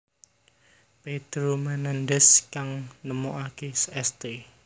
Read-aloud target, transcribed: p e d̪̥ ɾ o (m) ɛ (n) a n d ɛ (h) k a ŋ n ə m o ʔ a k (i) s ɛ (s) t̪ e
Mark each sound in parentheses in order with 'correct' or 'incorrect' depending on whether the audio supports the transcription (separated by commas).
correct, correct, incorrect, incorrect, correct